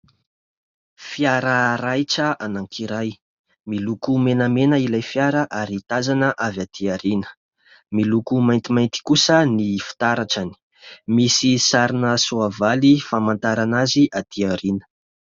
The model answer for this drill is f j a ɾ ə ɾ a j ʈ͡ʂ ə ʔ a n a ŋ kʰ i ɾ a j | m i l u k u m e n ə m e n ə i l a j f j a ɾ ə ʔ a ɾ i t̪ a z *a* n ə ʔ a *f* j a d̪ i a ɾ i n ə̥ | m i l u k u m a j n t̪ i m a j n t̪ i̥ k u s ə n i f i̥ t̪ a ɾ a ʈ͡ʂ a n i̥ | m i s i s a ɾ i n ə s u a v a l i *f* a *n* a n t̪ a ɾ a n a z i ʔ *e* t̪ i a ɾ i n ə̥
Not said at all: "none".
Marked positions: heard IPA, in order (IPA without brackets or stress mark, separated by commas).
a, v, f, m, a